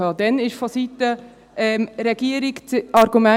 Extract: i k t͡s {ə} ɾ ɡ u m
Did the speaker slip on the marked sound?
yes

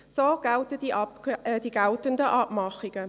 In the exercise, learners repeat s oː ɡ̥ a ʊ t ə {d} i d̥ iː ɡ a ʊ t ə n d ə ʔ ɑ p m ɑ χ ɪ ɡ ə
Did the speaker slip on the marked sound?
no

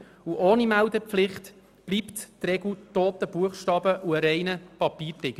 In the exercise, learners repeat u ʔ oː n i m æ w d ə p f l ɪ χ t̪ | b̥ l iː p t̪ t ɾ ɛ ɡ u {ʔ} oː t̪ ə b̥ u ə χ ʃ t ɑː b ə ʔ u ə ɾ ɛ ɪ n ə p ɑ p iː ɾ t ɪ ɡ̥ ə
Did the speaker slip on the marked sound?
yes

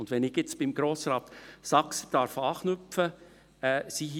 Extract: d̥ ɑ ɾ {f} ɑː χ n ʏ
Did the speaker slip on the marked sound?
no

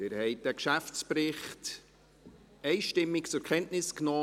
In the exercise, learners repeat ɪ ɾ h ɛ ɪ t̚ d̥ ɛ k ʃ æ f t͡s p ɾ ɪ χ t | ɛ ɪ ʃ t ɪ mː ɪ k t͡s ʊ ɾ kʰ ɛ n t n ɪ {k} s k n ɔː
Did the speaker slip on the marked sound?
yes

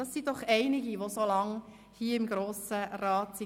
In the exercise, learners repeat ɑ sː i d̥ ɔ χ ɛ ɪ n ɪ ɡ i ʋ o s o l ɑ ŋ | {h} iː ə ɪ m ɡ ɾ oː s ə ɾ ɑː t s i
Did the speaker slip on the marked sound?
no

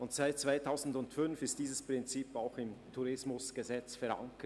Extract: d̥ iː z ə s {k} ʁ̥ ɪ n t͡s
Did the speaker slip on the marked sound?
yes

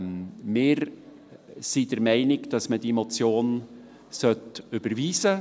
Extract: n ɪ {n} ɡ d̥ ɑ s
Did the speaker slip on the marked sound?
yes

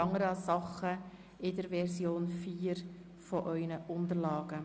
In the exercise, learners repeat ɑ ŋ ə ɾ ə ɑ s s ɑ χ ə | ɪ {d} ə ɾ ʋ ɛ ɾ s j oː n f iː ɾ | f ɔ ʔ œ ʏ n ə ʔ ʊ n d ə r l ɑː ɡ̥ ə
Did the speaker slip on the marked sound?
no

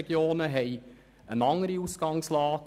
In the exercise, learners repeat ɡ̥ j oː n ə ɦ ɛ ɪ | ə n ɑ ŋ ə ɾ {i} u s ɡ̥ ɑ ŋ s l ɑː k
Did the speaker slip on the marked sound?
no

